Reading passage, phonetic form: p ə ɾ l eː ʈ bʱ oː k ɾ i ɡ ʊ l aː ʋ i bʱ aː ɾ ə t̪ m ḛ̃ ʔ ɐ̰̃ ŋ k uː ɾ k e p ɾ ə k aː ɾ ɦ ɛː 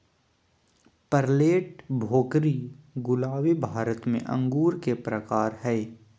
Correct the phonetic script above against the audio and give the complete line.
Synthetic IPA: p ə ɾ l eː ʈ bʱ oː k ɾ i ɡ ʊ l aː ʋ i bʱ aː ɾ ə t̪ m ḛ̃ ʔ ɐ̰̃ ŋ ɡ uː ɾ k e p ɾ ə k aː ɾ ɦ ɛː